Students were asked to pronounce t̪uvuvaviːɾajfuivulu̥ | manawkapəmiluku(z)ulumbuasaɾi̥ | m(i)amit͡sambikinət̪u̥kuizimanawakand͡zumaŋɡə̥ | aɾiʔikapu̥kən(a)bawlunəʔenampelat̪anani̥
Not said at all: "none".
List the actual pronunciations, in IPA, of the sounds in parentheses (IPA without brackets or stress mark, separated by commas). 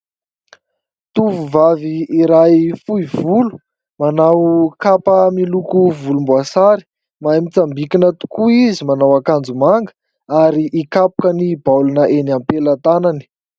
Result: v, a, i